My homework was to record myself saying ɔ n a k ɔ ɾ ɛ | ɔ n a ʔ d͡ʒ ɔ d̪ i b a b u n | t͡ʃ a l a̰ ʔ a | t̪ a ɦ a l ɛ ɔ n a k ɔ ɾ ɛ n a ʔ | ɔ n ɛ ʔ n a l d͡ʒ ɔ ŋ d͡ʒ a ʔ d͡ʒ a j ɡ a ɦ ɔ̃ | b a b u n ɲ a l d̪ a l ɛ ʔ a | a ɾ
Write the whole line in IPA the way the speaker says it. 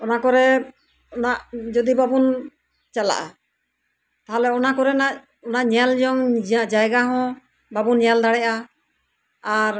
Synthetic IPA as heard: ɔ n a k ɔ ɾ ɛ | ɔ n a ʔ d͡ʒ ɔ d̪ i b a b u n | t͡ʃ a l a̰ ʔ a | t̪ a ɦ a l ɛ ɔ n a k ɔ ɾ ɛ n a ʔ | ɔ n a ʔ ɲ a l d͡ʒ ɔ ŋ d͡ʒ a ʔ d͡ʒ a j ɡ a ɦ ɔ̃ | b a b u n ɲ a l d̪ a ɽ ɛ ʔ a | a ɾ